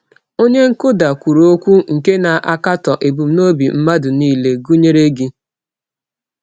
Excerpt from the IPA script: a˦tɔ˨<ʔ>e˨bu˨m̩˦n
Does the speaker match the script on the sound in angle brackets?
yes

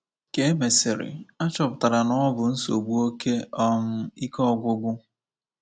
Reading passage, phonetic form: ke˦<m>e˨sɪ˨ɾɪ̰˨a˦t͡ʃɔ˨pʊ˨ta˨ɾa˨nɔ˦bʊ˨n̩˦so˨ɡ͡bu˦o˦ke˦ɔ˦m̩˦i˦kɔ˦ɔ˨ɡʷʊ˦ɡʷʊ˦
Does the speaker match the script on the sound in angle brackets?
yes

